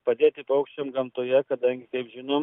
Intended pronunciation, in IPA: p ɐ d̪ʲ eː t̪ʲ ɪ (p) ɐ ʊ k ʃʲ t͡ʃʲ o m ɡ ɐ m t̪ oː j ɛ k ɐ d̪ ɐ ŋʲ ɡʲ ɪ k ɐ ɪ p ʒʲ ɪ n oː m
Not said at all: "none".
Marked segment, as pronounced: p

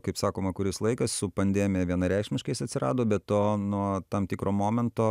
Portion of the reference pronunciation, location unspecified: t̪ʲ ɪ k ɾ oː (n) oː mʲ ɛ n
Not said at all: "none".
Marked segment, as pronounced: m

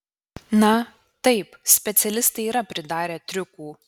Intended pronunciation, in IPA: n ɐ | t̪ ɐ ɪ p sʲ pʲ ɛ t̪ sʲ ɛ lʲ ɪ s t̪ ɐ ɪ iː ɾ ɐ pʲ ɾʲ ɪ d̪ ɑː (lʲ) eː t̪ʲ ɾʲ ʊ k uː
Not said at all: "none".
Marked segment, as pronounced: ɾʲ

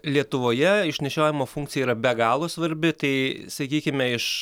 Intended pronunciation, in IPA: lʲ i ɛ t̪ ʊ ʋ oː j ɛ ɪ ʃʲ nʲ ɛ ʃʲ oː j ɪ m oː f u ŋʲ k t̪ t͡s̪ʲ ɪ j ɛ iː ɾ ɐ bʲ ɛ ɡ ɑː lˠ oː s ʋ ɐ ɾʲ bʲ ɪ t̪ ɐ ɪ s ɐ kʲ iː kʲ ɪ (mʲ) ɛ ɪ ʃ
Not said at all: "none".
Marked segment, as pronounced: mʲ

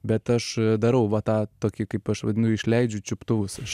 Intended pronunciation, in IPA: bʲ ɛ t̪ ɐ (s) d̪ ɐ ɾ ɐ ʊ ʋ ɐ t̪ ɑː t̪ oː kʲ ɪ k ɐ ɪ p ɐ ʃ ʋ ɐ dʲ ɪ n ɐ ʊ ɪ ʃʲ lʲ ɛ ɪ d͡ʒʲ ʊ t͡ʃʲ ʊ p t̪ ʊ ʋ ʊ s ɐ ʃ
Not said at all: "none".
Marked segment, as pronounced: ʃ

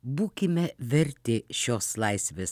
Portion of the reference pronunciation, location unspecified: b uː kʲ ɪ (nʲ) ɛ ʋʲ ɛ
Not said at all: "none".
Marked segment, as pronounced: mʲ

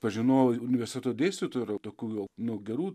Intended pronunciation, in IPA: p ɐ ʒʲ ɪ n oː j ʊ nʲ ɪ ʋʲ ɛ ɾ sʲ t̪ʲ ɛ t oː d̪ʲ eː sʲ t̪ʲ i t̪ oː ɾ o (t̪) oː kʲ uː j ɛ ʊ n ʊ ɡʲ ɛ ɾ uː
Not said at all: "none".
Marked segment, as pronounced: t̪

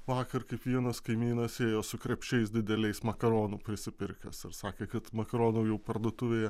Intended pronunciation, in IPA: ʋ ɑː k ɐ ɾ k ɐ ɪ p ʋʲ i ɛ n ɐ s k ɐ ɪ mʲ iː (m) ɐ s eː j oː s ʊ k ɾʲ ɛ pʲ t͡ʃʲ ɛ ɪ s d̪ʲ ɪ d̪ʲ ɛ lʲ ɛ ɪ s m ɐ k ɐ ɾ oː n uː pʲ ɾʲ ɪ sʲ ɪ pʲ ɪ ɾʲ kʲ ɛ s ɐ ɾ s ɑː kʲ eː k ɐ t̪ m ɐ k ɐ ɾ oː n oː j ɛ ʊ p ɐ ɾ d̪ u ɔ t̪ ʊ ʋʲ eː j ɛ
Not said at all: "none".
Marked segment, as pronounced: n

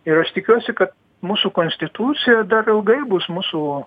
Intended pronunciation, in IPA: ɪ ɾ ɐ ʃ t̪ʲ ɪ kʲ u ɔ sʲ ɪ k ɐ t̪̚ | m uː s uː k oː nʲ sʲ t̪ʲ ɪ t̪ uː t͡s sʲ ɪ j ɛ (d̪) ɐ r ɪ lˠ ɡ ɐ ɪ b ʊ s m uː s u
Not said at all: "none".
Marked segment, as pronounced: d̪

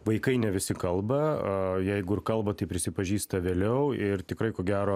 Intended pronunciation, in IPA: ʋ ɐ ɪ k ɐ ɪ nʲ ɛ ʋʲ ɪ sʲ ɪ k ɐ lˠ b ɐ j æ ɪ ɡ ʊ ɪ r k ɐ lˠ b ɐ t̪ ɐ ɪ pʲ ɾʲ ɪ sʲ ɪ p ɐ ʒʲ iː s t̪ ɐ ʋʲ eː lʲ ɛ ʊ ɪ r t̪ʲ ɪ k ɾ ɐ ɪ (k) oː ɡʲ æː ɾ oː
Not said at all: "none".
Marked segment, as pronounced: k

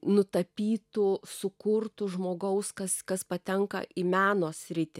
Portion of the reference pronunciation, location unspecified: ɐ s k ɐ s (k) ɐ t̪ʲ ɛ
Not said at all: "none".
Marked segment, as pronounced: p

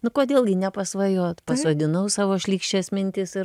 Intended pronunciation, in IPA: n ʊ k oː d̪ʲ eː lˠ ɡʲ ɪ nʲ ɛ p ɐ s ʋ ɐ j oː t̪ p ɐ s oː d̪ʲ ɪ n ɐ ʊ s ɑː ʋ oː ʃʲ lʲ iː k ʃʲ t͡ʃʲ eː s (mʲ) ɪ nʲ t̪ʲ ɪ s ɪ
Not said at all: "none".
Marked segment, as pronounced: mʲ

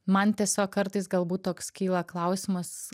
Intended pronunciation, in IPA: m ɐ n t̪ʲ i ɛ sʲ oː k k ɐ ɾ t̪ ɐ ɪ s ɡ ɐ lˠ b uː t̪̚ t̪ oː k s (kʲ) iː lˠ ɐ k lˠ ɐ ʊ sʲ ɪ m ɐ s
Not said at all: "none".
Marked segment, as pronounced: kʲ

